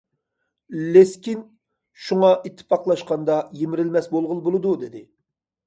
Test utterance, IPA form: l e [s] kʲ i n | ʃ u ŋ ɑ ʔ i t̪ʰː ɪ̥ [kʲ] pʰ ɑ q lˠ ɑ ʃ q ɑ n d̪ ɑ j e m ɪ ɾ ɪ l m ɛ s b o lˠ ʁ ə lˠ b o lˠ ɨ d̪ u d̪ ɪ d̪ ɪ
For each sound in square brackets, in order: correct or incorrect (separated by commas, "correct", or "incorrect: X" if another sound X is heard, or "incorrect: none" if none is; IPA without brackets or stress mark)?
correct, incorrect: none